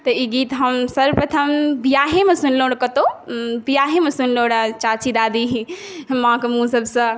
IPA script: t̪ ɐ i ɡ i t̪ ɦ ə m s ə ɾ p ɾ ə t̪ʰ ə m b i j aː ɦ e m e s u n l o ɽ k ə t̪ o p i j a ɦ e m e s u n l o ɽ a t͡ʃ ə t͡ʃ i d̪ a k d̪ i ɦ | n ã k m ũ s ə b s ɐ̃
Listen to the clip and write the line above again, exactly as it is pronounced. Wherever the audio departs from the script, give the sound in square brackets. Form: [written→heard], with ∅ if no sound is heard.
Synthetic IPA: t̪ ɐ i ɡ i t̪ ɦ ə m s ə ɾ p ɾ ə t̪ʰ ə m b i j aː ɦ e m e s u n l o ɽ k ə t̪ o [p→b] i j a ɦ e m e s u n l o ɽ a t͡ʃ [ə→a] t͡ʃ i d̪ a [k→∅] d̪ i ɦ | [n→m] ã k m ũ s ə b s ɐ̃